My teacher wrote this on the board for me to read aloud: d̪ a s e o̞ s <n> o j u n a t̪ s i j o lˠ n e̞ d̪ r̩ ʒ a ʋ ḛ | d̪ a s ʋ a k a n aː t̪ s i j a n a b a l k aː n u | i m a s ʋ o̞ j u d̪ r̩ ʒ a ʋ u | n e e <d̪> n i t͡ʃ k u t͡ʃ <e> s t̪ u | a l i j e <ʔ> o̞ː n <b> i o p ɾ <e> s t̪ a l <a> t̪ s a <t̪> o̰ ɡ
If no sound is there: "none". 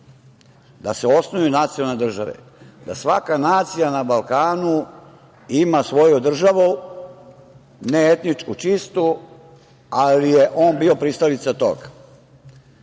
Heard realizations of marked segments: n, t̪, i, ʔ, b, i, i, t̪

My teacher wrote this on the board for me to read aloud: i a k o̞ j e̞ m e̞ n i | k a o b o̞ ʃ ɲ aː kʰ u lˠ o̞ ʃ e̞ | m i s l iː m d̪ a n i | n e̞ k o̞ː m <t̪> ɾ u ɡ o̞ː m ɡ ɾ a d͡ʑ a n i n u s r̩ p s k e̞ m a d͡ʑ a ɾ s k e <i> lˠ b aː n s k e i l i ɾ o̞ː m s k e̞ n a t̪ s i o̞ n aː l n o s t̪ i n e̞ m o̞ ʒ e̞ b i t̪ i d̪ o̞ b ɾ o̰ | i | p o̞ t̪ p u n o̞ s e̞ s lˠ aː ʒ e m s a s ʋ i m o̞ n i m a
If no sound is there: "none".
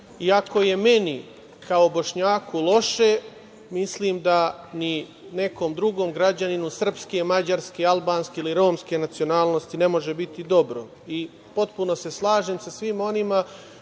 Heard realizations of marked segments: d̪, a

